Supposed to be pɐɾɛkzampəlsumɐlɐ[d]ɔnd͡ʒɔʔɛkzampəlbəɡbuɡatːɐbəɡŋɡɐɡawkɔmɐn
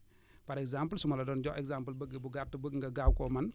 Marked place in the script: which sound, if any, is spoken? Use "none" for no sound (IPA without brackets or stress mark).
d